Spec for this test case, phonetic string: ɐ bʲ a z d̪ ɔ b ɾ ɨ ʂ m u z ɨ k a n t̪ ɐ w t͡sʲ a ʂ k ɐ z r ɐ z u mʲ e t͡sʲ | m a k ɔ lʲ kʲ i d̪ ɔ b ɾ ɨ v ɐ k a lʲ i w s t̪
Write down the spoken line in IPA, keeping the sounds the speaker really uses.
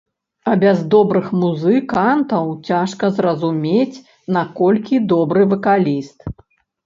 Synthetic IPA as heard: ɐ bʲ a z d̪ ɔ b ɾ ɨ x m u z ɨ k a n t̪ ɐ w t͡sʲ a ʂ k ɐ z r ɐ z u mʲ e t͡sʲ | n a k ɔ lʲ kʲ i d̪ ɔ b ɾ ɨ v ɐ k a lʲ i s t̪